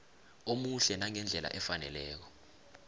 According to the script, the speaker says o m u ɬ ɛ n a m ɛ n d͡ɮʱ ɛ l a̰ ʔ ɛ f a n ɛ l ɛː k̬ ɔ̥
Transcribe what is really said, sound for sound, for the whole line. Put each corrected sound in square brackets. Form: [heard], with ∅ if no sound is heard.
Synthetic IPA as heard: o m u ɬ ɛ n a [ŋ] ɛ n d͡ɮʱ ɛ l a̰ ʔ ɛ f a n ɛ l ɛː k̬ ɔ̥